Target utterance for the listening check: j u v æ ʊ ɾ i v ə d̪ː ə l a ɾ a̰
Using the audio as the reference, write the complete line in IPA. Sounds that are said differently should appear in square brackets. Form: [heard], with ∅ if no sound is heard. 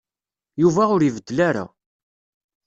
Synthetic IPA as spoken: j u v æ ʊ ɾ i v ə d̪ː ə l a ɾ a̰